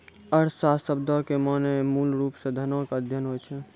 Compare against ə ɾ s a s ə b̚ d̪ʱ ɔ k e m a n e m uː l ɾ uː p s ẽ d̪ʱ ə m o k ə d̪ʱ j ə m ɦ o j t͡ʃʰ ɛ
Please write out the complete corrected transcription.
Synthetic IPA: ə ɾ s a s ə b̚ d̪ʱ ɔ k e m a n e m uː l ɾ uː p s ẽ d̪ʱ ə n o k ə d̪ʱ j ə n ɦ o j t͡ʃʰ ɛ